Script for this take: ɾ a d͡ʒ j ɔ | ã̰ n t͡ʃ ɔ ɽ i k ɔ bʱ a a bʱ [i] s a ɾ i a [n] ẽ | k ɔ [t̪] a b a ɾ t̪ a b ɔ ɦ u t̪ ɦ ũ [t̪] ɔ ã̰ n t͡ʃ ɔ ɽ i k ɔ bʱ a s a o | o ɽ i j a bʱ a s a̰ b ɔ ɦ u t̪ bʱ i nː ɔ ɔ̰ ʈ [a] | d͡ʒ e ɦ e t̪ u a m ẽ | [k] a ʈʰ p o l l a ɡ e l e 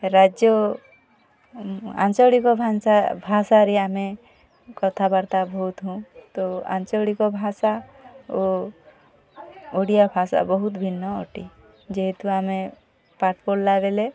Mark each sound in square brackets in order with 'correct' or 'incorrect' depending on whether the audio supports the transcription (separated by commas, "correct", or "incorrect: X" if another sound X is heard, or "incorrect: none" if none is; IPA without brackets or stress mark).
incorrect: a, incorrect: m, incorrect: t̪ʰ, correct, incorrect: i, incorrect: p